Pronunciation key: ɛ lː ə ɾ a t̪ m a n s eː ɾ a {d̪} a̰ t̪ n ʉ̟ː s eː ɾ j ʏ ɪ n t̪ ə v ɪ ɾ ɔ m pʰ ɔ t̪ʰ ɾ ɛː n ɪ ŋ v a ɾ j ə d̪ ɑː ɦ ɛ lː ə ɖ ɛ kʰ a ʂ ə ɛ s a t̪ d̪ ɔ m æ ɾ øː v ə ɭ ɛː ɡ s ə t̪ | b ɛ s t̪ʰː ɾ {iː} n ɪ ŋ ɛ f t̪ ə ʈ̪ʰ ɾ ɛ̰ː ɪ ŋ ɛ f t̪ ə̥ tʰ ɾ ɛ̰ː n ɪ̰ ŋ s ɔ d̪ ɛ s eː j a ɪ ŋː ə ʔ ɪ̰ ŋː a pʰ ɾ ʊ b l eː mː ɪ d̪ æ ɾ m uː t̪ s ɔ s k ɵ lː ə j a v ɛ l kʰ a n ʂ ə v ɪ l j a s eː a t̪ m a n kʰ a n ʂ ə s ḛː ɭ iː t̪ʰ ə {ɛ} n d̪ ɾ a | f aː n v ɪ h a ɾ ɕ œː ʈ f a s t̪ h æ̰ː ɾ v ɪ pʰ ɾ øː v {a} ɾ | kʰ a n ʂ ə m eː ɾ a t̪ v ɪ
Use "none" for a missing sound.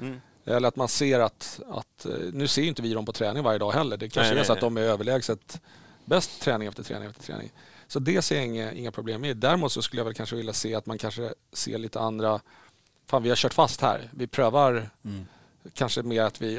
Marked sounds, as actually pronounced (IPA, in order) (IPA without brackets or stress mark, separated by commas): t̪, ɛː, a, a